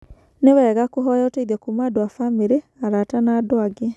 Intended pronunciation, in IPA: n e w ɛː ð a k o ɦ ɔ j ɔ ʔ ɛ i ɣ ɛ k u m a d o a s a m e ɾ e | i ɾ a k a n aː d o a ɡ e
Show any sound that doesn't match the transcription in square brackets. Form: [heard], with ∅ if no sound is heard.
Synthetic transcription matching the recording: n e w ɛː [ɣ] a k o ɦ ɔ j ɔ [t] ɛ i [ð] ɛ k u m a d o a [f] a m e ɾ e | [a] ɾ a [t] a n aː d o a ɡ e